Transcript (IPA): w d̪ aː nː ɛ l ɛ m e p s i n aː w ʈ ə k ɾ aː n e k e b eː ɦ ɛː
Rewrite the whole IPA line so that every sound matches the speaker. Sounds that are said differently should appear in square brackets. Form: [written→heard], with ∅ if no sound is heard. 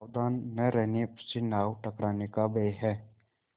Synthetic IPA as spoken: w d̪ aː nː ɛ [l→ɾ] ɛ [m→n] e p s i n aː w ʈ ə k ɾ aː n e k [e→a] b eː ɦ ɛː